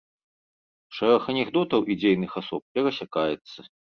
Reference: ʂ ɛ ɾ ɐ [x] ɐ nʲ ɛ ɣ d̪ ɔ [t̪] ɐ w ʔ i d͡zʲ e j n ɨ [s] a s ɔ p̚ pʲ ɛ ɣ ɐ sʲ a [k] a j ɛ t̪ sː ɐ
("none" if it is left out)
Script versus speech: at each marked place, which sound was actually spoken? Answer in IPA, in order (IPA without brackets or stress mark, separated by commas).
x, t̪, x, k